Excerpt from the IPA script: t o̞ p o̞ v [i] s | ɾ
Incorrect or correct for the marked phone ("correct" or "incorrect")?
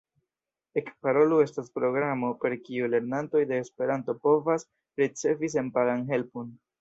incorrect